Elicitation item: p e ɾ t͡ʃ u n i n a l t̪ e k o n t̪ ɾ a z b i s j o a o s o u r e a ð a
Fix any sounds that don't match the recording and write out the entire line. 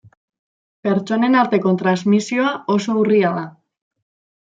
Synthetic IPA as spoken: p e ɾ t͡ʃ o n e n a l t̪ e k o n t̪ ɾ a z m i s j o a o s o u r i a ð a